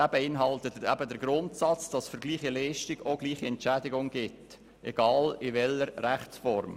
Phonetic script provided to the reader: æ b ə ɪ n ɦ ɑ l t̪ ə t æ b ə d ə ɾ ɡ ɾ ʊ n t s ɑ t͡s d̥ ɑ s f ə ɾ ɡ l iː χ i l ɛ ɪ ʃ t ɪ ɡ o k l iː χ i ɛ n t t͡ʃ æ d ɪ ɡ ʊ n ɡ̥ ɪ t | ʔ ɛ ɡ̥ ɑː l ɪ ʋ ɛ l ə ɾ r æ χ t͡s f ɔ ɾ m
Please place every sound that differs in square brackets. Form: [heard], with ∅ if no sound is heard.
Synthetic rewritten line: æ b ə ɪ n ɦ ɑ l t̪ ə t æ b ə d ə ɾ ɡ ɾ ʊ n t s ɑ t͡s d̥ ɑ s f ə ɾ ɡ l iː χ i l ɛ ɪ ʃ t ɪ ɡ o [ɡ] l iː χ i ɛ n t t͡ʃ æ d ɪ ɡ ʊ [ŋ] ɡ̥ ɪ t | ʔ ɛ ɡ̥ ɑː l ɪ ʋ ɛ l ə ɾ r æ χ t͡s f ɔ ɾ m